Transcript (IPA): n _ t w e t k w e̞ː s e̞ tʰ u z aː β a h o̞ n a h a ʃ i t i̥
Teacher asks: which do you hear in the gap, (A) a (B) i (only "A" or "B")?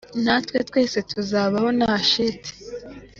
A